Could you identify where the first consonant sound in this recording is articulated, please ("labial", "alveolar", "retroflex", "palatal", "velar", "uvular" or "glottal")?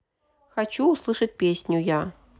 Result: velar